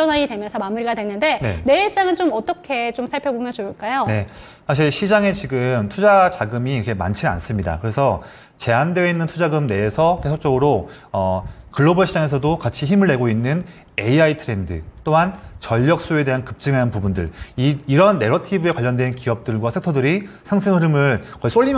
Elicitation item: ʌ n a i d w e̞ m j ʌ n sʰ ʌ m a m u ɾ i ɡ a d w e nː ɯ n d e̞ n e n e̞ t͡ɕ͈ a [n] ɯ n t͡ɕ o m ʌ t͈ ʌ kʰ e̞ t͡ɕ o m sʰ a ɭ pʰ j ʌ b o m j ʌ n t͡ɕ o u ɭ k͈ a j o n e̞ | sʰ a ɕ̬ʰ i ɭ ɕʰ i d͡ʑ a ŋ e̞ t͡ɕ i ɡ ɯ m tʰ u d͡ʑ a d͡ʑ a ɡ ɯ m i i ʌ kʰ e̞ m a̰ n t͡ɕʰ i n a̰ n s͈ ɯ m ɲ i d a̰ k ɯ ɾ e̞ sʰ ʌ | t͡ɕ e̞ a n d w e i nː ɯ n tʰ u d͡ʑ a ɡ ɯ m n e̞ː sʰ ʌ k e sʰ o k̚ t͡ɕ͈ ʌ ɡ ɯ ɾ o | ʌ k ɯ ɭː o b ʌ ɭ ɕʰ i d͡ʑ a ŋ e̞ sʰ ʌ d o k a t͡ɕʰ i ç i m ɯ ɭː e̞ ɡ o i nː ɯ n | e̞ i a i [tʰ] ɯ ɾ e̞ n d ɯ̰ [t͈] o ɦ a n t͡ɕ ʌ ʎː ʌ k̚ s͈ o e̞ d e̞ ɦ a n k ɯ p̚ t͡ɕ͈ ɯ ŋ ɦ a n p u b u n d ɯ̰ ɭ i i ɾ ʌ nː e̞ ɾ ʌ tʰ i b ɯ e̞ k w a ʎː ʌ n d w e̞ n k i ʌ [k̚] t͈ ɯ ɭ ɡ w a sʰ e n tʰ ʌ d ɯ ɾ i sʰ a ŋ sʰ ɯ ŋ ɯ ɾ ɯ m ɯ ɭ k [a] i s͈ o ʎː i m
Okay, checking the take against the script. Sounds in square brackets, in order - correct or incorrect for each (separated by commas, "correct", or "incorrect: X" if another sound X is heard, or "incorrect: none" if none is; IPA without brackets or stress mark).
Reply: incorrect: ŋ, correct, correct, incorrect: p̚, incorrect: ʌ